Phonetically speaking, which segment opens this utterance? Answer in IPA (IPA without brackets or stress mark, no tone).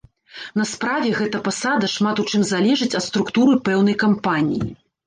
n